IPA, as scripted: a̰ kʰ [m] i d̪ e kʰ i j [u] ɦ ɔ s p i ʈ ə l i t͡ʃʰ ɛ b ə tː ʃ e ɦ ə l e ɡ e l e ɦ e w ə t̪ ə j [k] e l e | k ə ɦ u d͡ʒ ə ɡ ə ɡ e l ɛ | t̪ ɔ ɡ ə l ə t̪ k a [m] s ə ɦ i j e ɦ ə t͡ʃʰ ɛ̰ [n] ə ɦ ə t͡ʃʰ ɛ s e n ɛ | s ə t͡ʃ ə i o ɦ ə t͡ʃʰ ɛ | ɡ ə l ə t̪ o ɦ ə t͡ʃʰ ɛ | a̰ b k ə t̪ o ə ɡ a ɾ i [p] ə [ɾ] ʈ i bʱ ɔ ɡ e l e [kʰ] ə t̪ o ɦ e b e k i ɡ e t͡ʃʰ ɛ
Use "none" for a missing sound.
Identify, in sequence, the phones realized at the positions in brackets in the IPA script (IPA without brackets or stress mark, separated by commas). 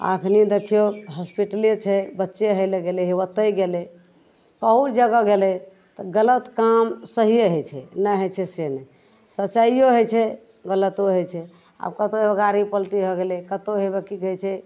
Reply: n, o, ɡ, m, n, p, l, k